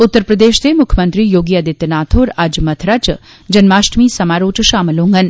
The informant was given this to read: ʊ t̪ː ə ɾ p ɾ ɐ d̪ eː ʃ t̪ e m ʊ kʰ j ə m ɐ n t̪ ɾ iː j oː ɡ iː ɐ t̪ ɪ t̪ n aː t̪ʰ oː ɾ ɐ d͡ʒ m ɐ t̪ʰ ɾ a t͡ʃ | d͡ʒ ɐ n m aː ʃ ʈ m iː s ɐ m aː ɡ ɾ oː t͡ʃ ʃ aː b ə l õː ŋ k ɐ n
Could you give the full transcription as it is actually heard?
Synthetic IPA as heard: ʊ t̪ː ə ɾ p ɾ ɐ d̪ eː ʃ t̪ e m ʊ kʰ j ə m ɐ n t̪ ɾ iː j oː ɡ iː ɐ d̪ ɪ t̪ n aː t̪ʰ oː ɾ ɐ d͡ʒ m ɐ t̪ʰ ɾ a t͡ʃ | d͡ʒ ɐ n m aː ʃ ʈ m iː s ɐ m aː ɾ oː t͡ʃ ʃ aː m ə l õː ŋ ɡ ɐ n